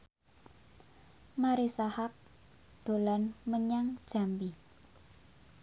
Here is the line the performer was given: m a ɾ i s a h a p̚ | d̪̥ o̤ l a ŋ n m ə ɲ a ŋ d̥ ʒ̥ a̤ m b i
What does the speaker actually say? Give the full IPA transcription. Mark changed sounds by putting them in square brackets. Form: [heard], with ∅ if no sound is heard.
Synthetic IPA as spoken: m a ɾ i s a h a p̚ | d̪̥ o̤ l a [∅] n m ə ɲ a ŋ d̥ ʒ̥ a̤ m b i

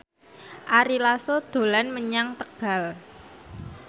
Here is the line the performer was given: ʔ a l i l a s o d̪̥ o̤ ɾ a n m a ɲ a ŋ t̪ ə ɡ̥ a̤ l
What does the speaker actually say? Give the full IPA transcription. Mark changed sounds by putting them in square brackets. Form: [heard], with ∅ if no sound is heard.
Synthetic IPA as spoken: ʔ a [ɾ] i l a s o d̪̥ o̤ [l] a n m [ə] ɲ a ŋ t̪ ə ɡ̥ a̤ l

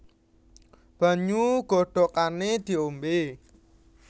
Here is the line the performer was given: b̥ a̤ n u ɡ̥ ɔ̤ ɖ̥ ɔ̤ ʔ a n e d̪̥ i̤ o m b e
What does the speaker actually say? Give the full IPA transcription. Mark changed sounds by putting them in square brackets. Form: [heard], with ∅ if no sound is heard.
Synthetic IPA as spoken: b̥ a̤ [ɲ] u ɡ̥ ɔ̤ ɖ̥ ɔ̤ [k] a n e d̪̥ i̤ o m b e

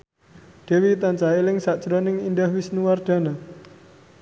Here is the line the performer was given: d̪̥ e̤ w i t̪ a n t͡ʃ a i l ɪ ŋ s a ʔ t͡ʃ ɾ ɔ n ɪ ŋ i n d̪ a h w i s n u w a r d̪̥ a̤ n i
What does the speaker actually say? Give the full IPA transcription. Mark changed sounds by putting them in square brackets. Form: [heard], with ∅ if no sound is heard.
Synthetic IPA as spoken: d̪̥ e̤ w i t̪ a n t͡ʃ a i l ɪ ŋ s a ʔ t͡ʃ ɾ ɔ n ɪ ŋ i n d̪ a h w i s n u w a r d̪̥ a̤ n [a]

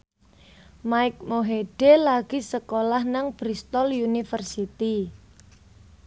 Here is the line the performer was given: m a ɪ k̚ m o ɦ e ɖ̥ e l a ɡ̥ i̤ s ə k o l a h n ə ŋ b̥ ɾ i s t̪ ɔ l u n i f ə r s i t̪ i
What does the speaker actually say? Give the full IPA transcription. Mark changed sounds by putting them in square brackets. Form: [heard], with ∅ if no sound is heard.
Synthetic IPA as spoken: m a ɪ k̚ m o ɦ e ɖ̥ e l a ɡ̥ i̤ s ə k o l a h n [a] ŋ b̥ ɾ i s t̪ ɔ l u n i f ə r s i t̪ i

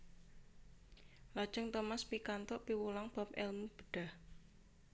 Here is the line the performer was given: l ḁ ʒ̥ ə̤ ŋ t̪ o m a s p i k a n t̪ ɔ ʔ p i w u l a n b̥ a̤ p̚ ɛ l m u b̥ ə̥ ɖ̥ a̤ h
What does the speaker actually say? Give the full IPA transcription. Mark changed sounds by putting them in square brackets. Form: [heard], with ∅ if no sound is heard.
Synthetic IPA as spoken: l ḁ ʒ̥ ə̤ ŋ t̪ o m a s p i k a n t̪ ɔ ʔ p i w u l a [ŋ] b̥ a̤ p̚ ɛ l m u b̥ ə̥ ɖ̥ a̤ h

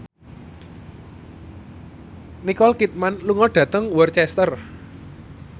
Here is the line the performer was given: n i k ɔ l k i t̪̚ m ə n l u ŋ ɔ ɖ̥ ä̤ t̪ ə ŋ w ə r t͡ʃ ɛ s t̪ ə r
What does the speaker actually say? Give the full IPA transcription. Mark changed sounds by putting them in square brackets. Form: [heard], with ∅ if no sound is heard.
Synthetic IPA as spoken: n i k ɔ l k i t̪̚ m [a] n l u ŋ ɔ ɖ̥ ä̤ t̪ ə ŋ w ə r t͡ʃ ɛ s t̪ ə r

